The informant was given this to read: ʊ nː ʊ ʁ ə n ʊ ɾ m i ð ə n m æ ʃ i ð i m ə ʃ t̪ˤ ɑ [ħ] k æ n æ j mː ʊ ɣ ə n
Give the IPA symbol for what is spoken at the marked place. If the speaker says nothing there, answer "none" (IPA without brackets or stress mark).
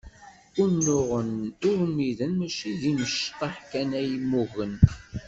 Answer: ħ